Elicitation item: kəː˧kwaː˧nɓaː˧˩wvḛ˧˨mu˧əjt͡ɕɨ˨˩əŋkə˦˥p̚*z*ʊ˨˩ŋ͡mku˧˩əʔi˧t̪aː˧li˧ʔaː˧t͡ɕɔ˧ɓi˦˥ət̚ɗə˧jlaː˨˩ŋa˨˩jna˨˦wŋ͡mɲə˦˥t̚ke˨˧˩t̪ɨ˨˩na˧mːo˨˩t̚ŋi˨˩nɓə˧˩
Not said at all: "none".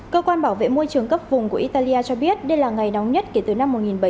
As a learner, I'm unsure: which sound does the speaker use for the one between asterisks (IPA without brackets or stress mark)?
v